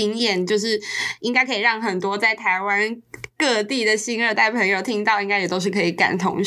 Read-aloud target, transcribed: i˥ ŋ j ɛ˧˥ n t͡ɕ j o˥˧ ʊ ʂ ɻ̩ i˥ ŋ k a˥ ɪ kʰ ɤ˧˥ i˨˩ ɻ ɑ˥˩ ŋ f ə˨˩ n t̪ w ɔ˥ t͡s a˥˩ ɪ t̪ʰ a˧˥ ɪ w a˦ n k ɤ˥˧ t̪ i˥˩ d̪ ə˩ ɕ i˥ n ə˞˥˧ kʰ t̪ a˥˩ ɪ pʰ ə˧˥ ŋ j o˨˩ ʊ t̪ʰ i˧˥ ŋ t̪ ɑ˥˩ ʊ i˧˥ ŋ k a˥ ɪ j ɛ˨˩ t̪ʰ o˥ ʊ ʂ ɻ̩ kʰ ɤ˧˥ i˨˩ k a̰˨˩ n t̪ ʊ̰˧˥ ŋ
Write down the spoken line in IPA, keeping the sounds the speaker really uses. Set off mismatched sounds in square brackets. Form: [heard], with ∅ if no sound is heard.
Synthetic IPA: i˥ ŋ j [ɛ˥˩] n t͡ɕ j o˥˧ ʊ ʂ ɻ̩ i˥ ŋ k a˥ ɪ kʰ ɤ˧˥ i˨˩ ɻ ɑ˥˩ ŋ [x] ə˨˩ n t̪ w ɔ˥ t͡s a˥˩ ɪ t̪ʰ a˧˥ ɪ w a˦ n k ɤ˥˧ t̪ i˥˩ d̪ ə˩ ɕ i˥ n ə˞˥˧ [∅] t̪ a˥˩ ɪ pʰ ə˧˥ ŋ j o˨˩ ʊ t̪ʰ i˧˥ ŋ t̪ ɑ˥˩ ʊ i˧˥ ŋ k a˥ ɪ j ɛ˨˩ [t̪] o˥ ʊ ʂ ɻ̩ kʰ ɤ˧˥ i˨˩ k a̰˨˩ n [t̪ʰ] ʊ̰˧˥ ŋ